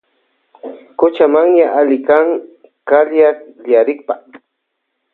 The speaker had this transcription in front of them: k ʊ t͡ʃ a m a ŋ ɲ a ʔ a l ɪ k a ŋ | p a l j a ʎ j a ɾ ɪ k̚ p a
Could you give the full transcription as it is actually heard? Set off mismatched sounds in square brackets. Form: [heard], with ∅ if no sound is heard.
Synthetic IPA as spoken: k ʊ t͡ʃ a m a ŋ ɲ a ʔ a l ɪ k a ŋ | [k] a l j a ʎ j a ɾ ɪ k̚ p a

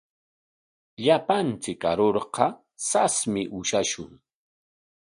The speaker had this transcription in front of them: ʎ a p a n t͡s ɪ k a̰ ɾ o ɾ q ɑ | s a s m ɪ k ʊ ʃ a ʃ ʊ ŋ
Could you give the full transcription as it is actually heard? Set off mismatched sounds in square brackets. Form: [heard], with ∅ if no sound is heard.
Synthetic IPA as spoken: ʎ a p a n t͡s ɪ k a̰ ɾ o ɾ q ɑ | s a s m ɪ [ʔ] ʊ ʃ a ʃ ʊ ŋ

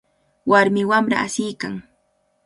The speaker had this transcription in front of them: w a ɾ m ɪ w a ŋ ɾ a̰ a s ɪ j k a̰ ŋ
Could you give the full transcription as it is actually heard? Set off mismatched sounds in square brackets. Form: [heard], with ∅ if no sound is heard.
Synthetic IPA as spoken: w a ɾ m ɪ w a [m] ɾ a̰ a s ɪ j k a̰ ŋ

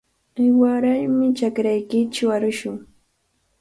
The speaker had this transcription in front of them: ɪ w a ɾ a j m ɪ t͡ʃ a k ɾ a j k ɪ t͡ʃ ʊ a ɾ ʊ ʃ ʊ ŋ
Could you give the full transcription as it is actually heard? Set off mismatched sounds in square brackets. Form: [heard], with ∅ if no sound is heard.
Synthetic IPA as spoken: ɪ w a ɾ a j m ɪ t͡ʃ a k ɾ a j k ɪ t͡ʃ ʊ a ɾ ʊ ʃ ʊ ŋ

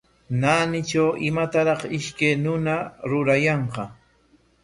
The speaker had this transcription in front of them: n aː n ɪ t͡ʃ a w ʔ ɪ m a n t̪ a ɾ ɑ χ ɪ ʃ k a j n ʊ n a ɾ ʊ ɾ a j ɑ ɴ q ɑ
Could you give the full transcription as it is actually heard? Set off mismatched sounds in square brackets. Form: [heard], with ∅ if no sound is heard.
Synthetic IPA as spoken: n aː n ɪ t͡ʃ a w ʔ ɪ m a [∅] t̪ a ɾ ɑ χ ɪ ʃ k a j n ʊ n a ɾ ʊ ɾ a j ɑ ɴ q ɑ

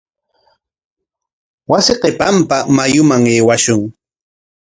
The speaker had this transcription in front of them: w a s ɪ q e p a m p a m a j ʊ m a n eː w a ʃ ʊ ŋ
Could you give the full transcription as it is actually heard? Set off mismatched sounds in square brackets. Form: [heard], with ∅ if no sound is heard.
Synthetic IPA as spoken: w a s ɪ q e p a m p a m a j ʊ m a [ŋ] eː w a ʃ ʊ ŋ

